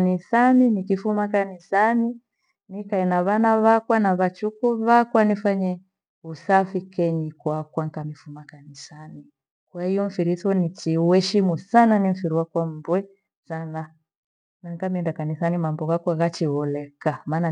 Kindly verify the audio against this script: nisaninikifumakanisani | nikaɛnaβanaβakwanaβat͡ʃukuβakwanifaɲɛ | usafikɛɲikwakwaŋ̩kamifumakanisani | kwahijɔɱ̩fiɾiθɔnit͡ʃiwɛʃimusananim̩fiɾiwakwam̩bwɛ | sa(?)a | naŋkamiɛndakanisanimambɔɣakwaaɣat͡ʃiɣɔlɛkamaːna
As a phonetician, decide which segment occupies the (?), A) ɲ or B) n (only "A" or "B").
B